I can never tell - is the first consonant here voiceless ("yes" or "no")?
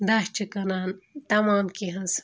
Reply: no